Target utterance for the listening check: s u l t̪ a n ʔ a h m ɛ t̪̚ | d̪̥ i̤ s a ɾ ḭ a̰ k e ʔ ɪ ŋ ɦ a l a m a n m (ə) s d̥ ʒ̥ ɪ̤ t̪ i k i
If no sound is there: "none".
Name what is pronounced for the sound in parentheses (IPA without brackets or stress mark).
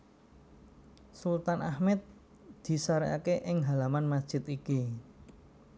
a